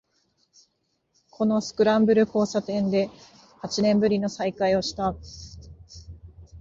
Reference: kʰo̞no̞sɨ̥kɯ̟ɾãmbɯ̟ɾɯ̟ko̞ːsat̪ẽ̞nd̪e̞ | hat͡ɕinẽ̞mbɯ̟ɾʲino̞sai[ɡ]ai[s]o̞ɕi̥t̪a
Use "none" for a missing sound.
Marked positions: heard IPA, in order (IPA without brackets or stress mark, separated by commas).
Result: k, none